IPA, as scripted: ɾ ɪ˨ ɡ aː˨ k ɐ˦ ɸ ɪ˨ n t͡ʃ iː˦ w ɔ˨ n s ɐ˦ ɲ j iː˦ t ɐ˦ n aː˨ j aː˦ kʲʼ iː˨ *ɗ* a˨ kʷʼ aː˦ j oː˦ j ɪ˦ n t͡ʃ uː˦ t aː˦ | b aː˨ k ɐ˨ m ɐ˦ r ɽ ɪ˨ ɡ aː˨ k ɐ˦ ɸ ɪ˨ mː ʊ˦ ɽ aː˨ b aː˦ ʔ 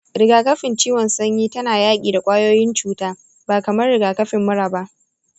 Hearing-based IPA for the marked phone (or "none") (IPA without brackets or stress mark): d